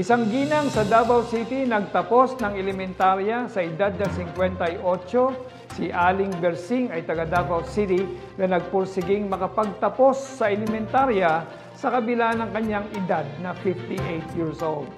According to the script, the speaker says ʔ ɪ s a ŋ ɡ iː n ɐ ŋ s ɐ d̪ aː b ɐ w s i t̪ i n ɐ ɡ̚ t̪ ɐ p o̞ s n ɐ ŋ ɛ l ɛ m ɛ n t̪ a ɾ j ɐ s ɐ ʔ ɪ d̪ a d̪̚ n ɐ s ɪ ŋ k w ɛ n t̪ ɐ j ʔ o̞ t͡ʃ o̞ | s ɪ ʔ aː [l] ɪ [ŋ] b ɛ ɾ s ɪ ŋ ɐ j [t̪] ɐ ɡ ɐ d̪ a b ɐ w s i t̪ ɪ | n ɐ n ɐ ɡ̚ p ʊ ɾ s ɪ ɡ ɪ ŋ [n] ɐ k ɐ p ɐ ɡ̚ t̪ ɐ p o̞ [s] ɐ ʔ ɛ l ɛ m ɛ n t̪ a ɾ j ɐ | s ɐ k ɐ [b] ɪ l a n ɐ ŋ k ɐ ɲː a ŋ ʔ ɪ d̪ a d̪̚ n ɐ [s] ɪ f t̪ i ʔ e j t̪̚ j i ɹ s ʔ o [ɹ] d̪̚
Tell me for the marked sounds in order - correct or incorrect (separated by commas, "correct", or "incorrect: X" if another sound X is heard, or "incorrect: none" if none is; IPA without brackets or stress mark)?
correct, correct, correct, incorrect: m, incorrect: sː, correct, incorrect: f, incorrect: l